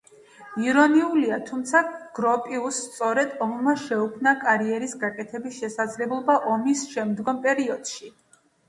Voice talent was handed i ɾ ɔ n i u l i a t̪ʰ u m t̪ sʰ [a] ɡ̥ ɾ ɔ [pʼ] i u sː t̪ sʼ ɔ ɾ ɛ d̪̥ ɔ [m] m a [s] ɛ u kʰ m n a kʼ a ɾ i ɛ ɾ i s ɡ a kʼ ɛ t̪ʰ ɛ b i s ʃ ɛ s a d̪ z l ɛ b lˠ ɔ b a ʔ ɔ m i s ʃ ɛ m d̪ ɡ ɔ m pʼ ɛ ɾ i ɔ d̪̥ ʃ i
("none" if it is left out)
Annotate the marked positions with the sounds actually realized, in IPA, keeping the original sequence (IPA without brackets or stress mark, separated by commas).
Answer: a, pʼ, m, ʃ